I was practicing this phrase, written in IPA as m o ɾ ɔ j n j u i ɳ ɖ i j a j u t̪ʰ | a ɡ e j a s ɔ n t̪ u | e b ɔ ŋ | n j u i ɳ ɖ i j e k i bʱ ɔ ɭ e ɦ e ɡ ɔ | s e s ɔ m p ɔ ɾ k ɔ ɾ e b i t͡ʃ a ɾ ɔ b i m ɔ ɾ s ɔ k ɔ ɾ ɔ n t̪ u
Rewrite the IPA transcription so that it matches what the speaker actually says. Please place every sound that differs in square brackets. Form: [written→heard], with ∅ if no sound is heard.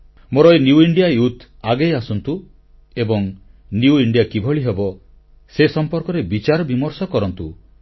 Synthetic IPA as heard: m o ɾ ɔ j n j u i ɳ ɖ i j a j u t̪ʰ | a ɡ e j a s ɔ n t̪ u | e b ɔ ŋ | n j u i ɳ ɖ i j [e→a] k i bʱ ɔ ɭ [e→i] ɦ e [ɡ→b] ɔ | s e s ɔ m p ɔ ɾ k ɔ ɾ e b i t͡ʃ a ɾ ɔ b i m ɔ ɾ s ɔ k ɔ ɾ ɔ n t̪ u